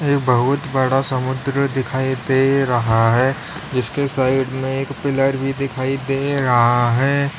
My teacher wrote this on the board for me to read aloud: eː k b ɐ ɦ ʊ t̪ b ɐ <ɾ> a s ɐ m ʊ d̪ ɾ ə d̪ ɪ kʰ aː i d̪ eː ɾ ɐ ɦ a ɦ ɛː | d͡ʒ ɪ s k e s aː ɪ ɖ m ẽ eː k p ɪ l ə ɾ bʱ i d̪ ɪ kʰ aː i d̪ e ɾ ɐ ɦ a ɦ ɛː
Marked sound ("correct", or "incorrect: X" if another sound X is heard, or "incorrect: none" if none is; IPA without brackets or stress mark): incorrect: ɽ